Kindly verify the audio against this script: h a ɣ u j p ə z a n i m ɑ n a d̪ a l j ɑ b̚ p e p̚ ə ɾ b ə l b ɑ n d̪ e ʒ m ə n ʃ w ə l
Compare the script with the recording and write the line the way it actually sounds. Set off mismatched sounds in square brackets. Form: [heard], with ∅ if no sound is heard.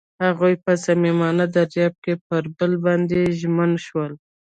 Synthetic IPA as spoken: h a ɣ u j p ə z a [m] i m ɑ n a d̪ a [ɾ] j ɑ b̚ [k] e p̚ ə ɾ b ə l b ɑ n d̪ e ʒ m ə n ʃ w ə l